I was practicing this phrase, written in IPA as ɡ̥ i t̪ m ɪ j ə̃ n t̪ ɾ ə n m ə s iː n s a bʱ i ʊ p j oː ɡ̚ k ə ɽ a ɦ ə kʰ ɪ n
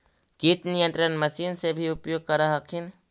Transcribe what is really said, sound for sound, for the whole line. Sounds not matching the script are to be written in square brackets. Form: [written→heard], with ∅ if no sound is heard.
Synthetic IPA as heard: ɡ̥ i t̪ [m→n] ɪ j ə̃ n t̪ ɾ ə n m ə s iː n s [a→e] bʱ i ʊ p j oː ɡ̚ k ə [ɽ→ɾ] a ɦ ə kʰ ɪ n